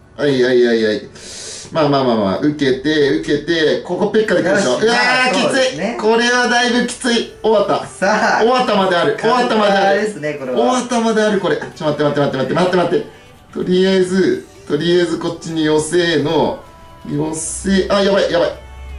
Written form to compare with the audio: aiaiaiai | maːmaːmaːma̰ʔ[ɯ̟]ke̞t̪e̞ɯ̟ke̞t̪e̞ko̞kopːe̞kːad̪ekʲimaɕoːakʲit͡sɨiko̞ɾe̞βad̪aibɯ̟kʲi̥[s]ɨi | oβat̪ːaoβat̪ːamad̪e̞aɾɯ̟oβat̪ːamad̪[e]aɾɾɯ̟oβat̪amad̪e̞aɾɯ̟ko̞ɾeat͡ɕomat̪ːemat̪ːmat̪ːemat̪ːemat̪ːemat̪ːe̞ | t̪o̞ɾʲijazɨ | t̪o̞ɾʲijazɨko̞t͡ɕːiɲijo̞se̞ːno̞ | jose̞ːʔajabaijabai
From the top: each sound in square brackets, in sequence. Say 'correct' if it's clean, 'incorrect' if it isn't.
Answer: correct, incorrect, correct

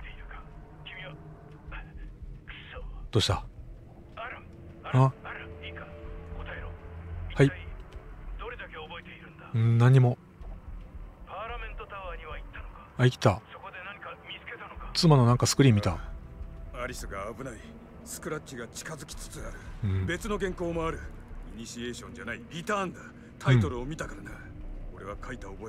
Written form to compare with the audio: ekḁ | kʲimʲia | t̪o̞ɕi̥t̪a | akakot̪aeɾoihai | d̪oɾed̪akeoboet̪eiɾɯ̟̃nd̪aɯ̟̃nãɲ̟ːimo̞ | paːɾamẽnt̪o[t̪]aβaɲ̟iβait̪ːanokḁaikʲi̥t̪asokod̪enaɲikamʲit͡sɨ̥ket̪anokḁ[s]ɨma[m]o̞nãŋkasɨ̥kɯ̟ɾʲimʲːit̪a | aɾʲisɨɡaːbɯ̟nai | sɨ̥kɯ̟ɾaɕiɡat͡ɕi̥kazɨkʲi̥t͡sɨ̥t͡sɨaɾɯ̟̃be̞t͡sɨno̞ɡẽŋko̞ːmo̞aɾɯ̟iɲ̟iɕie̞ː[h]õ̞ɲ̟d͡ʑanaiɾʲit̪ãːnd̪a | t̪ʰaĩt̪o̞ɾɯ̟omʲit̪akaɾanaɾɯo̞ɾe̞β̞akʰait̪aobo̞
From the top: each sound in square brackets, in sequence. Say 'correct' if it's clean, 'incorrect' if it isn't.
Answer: correct, incorrect, incorrect, incorrect

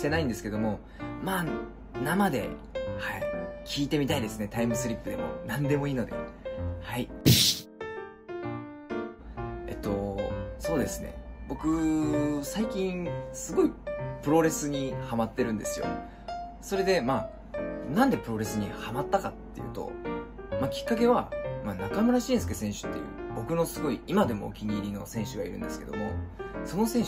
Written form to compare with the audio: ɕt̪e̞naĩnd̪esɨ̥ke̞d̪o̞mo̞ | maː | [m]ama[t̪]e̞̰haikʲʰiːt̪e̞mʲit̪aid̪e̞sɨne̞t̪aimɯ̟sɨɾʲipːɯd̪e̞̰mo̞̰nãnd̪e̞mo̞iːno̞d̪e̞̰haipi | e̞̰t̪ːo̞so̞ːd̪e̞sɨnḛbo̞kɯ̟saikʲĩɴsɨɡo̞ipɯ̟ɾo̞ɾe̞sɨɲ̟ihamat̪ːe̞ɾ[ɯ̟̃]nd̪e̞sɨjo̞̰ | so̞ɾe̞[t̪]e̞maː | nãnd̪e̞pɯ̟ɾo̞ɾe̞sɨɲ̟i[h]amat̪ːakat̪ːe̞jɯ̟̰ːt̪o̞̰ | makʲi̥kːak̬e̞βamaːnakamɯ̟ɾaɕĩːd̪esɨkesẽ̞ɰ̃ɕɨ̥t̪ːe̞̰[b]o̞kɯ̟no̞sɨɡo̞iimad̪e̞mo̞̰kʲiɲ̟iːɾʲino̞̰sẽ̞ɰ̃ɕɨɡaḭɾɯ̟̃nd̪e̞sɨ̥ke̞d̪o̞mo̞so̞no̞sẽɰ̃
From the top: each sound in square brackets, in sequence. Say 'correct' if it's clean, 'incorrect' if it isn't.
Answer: incorrect, incorrect, correct, incorrect, correct, correct

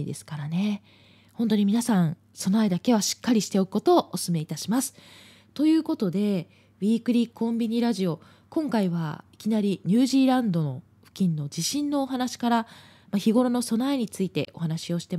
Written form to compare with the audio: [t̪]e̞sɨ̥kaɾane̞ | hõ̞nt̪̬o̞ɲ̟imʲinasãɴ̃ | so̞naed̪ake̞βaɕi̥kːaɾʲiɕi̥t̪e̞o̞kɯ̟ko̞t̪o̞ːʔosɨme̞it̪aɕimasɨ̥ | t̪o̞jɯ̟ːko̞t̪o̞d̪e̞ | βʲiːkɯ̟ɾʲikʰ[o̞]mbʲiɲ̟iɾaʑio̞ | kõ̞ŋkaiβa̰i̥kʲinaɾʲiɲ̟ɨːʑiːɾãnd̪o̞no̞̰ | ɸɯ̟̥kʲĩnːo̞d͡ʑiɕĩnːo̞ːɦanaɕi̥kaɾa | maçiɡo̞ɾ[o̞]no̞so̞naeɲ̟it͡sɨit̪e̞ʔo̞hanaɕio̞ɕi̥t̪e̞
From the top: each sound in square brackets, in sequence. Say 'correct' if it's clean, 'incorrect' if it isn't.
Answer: incorrect, incorrect, correct

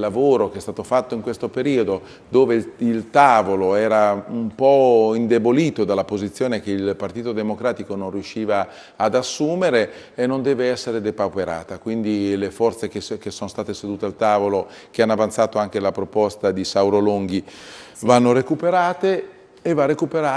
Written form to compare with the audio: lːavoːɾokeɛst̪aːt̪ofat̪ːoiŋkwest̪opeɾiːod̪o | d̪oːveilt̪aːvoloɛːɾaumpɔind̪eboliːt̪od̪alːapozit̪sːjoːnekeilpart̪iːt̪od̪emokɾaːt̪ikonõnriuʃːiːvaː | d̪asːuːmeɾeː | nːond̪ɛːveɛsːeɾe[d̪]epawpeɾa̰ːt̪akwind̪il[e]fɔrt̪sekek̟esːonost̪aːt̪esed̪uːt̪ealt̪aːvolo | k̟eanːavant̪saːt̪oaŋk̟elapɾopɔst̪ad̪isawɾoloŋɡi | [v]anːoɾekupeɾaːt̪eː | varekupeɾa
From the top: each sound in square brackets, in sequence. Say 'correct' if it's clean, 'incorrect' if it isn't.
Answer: correct, correct, correct

